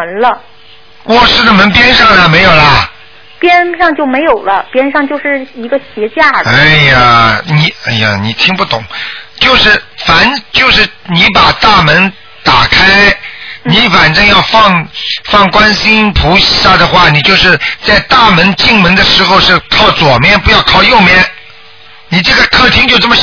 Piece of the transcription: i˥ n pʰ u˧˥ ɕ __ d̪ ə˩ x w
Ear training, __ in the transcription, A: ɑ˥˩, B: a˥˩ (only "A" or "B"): B